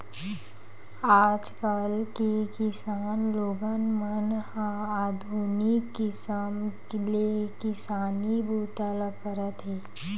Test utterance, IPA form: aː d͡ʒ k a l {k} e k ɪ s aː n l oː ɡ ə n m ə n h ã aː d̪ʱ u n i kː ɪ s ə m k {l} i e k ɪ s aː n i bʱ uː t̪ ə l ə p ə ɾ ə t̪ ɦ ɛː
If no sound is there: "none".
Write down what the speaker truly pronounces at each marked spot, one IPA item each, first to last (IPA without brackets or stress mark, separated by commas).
k, l